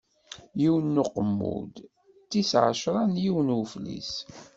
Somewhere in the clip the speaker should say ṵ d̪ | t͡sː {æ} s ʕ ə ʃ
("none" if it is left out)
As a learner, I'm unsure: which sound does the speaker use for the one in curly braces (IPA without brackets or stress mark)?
i